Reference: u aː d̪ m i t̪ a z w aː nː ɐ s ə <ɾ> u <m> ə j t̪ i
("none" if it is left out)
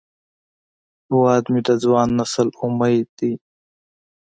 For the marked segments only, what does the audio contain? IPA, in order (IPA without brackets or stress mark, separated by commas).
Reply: l, m